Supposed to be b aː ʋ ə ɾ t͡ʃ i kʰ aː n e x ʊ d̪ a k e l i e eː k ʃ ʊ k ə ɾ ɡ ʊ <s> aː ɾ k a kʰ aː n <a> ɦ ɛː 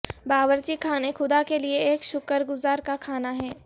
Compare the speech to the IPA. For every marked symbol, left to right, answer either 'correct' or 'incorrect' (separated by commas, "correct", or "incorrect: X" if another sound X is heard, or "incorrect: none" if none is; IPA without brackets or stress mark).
incorrect: z, correct